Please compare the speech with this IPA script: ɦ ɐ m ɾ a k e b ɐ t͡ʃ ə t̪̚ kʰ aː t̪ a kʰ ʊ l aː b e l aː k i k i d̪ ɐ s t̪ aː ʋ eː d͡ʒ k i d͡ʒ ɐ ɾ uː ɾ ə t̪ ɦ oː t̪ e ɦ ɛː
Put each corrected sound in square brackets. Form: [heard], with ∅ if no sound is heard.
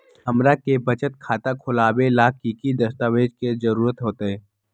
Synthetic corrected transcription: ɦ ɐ m ɾ a k e b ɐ t͡ʃ ə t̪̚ kʰ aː t̪ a kʰ ʊ l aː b e l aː k i k i d̪ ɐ s t̪ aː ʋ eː d͡ʒ k [e] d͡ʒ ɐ ɾ uː ɾ ə t̪ ɦ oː t̪ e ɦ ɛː